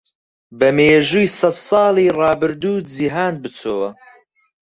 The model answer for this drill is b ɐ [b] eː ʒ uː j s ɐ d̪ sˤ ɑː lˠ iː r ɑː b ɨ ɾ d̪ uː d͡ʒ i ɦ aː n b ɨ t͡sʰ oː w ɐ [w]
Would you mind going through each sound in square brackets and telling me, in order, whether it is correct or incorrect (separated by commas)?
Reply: incorrect, incorrect